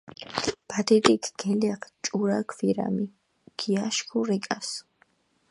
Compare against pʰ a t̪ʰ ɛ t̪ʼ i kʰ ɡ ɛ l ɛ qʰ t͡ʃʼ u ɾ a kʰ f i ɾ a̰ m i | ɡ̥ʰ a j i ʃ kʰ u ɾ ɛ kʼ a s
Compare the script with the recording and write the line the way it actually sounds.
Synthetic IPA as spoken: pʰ a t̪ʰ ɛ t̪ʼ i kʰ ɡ ɛ l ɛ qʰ t͡ʃʼ u ɾ a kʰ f i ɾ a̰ m i | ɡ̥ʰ i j a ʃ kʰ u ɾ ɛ kʼ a s